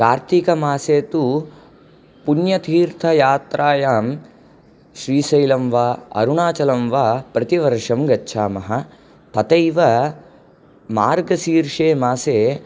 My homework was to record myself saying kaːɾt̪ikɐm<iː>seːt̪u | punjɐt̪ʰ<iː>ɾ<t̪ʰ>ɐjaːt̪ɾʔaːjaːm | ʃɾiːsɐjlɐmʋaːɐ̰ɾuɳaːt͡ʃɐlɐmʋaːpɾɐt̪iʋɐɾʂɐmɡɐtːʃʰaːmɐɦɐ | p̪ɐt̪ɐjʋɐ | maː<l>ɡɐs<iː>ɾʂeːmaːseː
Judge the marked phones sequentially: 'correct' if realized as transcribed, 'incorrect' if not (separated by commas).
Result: incorrect, correct, correct, incorrect, correct